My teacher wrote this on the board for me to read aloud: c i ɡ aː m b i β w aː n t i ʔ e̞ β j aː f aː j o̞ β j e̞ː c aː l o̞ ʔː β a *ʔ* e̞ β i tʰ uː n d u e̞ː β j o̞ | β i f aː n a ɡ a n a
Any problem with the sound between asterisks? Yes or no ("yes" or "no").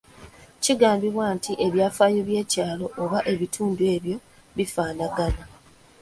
no